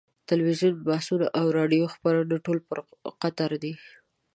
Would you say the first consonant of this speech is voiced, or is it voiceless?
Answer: voiceless